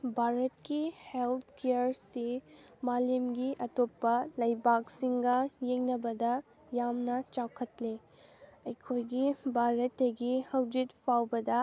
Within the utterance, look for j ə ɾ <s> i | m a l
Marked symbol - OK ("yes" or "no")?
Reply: yes